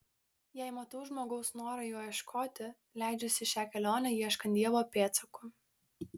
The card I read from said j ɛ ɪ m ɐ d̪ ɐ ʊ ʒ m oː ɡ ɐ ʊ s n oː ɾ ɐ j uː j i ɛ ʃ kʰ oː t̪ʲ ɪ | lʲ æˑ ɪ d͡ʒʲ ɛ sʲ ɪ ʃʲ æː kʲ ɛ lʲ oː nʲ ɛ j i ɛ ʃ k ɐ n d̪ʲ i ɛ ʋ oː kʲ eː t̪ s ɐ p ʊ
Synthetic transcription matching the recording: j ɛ ɪ m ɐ t̪ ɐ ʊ ʒ m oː ɡ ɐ ʊ s n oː ɾ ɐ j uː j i ɛ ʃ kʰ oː t̪ʲ ɪ | lʲ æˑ ɪ d͡ʒʲ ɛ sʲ ɪ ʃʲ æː kʲ ɛ lʲ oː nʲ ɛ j i ɛ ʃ k ɐ n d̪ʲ i ɛ ʋ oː pʲ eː t̪ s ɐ k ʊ